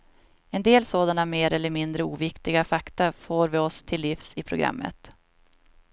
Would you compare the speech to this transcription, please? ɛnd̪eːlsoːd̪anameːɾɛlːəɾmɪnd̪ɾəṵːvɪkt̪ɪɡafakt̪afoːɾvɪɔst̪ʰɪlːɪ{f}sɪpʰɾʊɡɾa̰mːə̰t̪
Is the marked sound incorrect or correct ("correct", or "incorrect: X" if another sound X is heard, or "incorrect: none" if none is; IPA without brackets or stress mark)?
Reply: correct